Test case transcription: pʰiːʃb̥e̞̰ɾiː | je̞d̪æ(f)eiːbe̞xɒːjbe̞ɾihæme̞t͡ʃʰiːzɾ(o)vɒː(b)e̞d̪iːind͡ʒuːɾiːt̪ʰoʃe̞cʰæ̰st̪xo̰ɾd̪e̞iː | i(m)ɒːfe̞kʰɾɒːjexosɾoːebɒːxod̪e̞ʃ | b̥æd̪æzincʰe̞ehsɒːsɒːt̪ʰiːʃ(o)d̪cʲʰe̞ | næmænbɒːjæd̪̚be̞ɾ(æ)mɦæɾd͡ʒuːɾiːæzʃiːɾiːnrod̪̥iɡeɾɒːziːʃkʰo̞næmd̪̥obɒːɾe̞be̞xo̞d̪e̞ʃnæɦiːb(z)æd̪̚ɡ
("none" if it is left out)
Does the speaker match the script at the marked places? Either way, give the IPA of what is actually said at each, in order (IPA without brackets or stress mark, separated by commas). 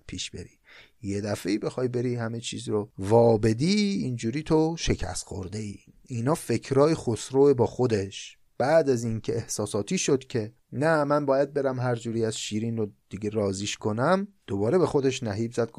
f, o, b, n, o, æ, z